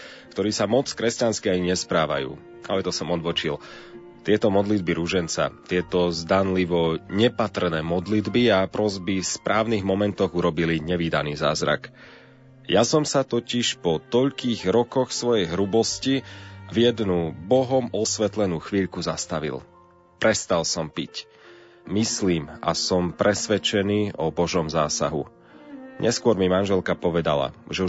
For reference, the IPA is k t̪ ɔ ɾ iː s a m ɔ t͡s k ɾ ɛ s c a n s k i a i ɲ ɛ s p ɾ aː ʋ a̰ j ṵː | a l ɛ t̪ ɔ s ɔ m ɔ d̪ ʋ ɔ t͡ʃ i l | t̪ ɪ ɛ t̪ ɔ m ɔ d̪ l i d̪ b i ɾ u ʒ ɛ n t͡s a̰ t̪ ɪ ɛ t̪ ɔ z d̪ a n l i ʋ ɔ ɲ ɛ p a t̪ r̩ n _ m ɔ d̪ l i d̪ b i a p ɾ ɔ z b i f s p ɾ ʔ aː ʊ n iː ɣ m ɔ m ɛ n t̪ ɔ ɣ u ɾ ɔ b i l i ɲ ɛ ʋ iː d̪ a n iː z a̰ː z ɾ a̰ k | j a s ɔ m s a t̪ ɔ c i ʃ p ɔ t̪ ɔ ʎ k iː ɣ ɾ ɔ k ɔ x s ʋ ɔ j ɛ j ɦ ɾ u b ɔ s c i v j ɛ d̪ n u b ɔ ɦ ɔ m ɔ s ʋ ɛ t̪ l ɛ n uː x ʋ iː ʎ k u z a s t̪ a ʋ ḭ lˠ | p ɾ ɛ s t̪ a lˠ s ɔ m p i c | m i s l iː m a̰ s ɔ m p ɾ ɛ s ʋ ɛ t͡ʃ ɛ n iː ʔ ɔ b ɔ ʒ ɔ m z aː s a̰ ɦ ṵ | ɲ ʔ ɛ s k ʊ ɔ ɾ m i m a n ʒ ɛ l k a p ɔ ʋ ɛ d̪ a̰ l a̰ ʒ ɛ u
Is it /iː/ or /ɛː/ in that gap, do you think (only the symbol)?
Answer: ɛː